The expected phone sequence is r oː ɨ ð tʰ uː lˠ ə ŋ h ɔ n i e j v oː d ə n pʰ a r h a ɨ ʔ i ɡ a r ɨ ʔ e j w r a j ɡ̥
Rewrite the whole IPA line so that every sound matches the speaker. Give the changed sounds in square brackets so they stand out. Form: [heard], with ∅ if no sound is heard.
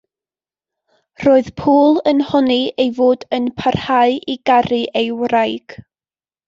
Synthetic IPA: r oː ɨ ð [pʰ] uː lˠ ə [n] h ɔ n i e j v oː d ə n pʰ a r h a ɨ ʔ i ɡ a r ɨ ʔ e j w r a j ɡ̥